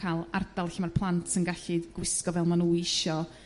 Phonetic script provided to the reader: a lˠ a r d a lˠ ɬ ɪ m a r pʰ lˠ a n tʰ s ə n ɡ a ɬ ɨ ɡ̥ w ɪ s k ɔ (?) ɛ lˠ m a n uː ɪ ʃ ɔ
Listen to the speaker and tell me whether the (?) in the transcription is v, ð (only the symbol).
v